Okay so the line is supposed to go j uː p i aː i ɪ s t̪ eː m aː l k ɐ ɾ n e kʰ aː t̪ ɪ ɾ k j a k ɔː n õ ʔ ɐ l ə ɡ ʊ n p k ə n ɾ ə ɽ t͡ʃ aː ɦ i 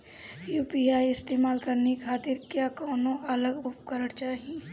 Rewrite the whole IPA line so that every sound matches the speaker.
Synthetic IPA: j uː p i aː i ɪ s t̪ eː m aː l k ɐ ɾ n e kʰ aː t̪ ɪ ɾ k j a k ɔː n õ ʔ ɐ l ə ɡ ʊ p k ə ɾ ə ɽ t͡ʃ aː ɦ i